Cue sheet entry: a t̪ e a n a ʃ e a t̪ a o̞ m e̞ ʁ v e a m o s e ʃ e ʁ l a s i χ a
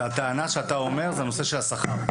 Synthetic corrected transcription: a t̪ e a n a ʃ e a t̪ a o̞ m e̞ ʁ z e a n o s e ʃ e l a s a χ a